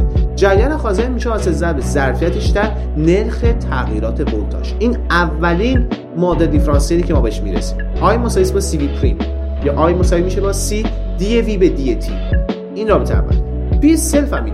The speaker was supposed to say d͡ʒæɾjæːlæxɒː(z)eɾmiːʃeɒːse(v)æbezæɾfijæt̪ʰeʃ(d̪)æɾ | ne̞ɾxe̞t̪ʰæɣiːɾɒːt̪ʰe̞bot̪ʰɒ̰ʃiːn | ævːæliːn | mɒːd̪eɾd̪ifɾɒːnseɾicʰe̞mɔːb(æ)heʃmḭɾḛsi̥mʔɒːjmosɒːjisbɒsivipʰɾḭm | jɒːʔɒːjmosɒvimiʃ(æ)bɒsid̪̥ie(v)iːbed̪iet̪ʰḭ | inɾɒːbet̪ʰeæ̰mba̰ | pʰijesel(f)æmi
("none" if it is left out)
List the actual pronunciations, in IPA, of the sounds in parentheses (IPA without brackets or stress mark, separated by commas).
z, z, d̪, e, e, v, f